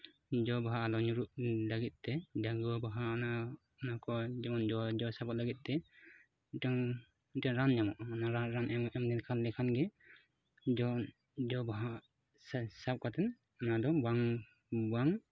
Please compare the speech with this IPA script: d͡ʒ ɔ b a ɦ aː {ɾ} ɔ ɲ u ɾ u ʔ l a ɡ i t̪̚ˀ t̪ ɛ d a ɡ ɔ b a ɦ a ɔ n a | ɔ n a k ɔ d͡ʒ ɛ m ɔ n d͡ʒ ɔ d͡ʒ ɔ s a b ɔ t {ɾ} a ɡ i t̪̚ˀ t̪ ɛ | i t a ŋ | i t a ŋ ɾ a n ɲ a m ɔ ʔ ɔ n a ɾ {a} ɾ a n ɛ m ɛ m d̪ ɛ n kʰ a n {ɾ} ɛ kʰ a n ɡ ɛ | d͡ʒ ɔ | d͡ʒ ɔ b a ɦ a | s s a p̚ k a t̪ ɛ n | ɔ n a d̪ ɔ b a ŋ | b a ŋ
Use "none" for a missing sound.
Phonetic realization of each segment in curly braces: l, l, a, l

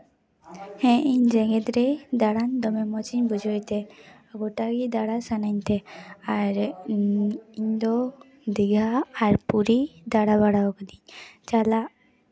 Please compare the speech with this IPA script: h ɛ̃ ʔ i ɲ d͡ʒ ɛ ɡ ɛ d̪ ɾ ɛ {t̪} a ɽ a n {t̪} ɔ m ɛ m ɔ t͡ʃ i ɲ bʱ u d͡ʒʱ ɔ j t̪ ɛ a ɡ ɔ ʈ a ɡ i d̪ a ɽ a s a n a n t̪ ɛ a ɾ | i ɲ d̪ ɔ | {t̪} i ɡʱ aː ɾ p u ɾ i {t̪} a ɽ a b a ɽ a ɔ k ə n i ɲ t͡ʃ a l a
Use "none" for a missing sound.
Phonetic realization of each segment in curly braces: d̪, d̪, d̪, d̪

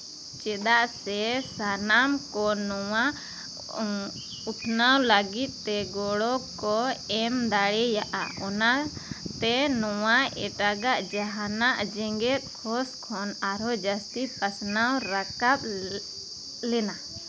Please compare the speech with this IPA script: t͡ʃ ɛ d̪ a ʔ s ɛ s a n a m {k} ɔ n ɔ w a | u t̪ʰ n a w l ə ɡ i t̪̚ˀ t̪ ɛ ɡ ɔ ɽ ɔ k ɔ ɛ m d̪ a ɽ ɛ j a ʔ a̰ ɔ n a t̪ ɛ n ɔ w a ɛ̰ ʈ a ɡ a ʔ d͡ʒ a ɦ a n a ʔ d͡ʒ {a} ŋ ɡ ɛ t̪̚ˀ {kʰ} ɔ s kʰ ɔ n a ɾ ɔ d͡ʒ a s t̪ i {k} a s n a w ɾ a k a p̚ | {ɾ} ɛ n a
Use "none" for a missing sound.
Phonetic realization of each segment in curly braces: k, ɛ, kʰ, p, l

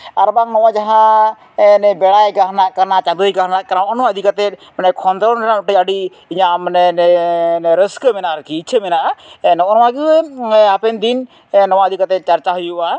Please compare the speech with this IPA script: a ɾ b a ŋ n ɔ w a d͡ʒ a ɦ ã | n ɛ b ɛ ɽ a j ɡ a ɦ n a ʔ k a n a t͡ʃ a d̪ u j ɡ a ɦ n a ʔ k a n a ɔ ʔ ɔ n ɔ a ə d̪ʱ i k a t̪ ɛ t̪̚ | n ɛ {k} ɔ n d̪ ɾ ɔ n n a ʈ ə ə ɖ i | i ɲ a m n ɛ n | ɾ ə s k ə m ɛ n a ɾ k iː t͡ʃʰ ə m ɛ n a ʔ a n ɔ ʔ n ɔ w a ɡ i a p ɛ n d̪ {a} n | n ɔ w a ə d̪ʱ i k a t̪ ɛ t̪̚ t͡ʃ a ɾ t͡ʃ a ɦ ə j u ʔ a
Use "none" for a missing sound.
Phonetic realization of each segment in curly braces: kʰ, i

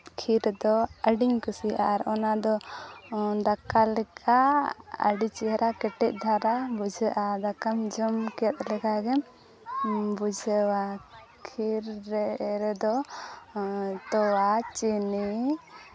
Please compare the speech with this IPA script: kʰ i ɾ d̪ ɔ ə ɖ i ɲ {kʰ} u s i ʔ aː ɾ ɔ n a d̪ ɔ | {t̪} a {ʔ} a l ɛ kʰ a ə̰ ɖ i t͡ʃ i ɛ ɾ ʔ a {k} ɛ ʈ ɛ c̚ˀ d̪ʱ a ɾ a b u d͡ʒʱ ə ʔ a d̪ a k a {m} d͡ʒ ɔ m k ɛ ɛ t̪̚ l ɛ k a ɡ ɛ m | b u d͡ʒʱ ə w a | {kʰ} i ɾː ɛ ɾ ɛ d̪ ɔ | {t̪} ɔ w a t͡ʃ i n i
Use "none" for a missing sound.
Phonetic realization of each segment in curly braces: k, d̪, k, k, m, kʰ, t̪

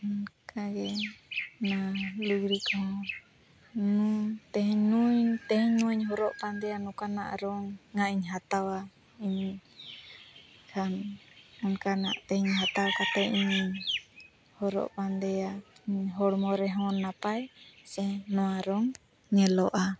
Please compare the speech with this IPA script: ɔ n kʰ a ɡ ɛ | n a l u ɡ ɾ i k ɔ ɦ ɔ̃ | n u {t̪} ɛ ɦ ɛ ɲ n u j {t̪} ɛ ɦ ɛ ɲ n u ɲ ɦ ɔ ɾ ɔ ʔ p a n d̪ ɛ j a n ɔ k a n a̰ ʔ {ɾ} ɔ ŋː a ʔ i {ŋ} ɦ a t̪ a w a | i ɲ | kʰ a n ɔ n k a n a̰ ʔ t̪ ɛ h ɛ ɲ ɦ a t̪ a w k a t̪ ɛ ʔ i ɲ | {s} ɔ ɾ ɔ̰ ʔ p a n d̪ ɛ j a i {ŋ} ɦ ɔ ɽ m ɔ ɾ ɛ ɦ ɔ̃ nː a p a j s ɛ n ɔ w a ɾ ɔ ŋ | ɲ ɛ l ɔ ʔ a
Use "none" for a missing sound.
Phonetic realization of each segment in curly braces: t̪, t̪, ɾ, ɲ, h, ɲ

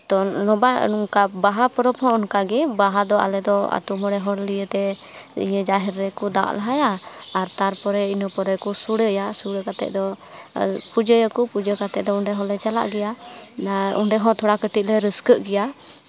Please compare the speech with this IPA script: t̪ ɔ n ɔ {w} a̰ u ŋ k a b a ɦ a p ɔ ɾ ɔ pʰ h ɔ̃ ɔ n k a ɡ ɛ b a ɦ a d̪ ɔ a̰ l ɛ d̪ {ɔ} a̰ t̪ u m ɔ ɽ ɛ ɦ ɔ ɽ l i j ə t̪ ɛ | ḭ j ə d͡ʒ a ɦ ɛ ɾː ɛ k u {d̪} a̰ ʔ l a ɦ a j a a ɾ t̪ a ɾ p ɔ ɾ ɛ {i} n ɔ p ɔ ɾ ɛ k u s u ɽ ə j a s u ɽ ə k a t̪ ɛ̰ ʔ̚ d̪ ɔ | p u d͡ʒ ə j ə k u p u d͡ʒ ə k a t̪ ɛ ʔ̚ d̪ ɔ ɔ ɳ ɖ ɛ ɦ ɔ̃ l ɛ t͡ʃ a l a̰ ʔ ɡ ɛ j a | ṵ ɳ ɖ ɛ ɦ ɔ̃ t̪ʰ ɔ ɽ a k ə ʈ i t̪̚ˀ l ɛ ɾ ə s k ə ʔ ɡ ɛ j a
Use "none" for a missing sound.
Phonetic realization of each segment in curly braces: b, ɔ, d̪, i

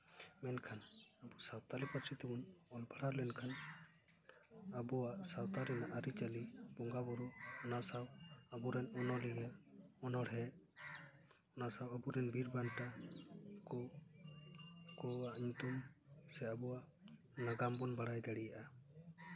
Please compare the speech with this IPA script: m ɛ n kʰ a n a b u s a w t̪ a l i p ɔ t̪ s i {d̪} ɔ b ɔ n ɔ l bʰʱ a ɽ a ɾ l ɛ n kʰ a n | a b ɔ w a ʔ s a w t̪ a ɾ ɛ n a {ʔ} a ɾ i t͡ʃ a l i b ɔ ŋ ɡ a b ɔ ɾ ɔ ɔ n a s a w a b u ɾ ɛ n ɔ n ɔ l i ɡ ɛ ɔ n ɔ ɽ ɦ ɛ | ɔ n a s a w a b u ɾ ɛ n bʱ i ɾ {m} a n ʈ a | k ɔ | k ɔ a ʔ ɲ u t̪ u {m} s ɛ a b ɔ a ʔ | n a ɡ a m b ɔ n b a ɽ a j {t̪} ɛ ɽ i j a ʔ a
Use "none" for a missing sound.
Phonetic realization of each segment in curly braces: t̪, ʔ, b, m, d̪

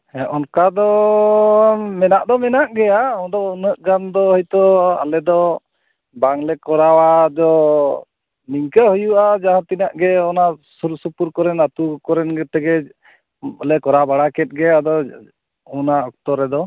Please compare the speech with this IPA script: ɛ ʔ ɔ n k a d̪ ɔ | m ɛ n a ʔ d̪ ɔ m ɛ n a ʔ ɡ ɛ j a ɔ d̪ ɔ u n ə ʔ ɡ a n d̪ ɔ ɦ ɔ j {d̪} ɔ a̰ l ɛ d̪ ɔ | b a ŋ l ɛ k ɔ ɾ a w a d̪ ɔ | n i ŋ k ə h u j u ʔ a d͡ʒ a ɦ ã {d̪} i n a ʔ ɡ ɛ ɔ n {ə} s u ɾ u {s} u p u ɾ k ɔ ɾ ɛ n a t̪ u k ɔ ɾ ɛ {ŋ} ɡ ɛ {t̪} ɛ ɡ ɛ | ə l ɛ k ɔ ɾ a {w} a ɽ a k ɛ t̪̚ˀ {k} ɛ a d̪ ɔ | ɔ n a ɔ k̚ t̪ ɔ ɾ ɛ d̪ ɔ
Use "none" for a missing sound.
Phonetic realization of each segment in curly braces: t̪, t̪, a, s, n, t̪, b, ɡ

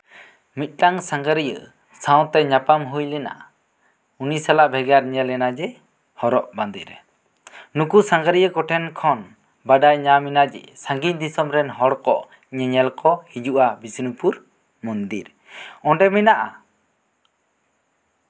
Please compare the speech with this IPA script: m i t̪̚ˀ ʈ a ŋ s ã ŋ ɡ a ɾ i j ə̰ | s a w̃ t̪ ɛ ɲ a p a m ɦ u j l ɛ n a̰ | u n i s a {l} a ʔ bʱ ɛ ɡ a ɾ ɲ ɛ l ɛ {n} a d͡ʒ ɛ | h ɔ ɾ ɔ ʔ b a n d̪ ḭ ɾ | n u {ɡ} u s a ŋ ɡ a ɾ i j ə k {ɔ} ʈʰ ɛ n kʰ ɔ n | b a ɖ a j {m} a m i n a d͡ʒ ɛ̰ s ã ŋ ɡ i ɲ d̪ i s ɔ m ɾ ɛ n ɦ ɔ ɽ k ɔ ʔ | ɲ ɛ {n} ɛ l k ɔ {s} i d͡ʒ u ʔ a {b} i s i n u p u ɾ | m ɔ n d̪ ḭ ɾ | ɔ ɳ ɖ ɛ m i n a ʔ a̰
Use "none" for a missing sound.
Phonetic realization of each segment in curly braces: l, n, k, ɔ, ɲ, ɲ, h, b

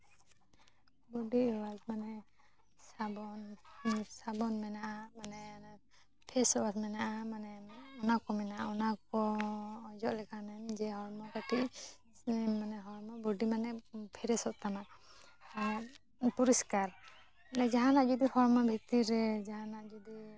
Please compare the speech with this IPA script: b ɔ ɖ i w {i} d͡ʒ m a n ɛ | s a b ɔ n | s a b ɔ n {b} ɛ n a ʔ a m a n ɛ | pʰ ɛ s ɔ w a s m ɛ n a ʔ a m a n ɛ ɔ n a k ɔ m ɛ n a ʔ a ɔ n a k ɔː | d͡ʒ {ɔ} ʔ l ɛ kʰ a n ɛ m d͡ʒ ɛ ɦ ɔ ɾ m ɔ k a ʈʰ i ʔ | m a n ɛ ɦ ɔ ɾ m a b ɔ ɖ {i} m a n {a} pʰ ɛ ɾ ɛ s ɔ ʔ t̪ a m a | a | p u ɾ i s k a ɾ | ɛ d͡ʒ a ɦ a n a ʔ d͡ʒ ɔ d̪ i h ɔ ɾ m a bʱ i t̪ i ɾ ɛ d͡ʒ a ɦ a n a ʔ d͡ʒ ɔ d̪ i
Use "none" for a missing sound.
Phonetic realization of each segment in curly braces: a, m, ɔ, i, ɛ

